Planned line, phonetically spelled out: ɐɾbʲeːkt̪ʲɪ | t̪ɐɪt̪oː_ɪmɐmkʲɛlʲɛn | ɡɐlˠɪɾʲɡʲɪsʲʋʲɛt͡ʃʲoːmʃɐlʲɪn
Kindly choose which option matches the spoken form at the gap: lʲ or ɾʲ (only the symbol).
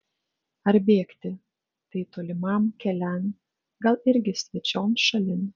lʲ